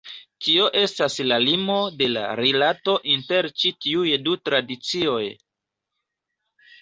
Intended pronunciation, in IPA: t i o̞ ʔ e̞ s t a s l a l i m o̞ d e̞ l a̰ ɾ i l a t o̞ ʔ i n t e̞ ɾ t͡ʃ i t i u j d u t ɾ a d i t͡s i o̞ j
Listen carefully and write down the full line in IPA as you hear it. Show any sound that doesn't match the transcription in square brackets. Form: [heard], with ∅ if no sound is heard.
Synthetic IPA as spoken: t i o̞ ʔ e̞ s t a s l a l i m o̞ d e̞ l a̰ ɾ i l a t o̞ ʔ i n t e̞ ɾ t͡ʃ i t i u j d u t ɾ a d i t͡s i o̞ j